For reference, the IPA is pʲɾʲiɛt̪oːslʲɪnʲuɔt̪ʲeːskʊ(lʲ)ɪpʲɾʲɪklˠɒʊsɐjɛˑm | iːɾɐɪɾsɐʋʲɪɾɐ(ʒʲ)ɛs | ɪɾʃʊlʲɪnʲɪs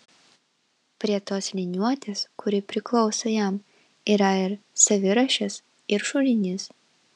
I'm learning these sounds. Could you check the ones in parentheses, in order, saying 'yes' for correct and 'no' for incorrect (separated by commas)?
no, no